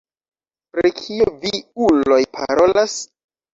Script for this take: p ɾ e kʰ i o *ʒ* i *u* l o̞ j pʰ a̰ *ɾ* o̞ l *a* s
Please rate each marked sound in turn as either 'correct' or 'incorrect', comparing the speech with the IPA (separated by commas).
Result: incorrect, correct, correct, correct